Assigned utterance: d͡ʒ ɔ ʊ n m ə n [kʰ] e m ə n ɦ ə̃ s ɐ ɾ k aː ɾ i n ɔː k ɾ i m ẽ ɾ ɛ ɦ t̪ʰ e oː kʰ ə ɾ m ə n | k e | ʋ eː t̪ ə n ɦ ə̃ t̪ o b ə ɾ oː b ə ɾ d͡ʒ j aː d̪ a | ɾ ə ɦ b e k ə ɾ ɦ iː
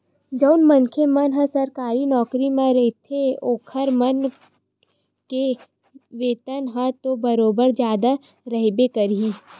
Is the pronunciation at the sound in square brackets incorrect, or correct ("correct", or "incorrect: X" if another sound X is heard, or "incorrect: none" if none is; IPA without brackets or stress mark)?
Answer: correct